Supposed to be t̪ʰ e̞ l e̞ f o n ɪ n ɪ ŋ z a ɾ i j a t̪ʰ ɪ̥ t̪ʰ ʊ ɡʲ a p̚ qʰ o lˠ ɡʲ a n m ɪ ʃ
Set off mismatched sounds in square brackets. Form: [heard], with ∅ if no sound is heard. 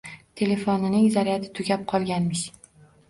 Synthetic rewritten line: t̪ʰ e̞ l e̞ f o n ɪ n ɪ ŋ z a ɾ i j a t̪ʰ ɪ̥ t̪ʰ ʊ ɡʲ a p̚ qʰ [ɒ] lˠ ɡʲ a n m ɪ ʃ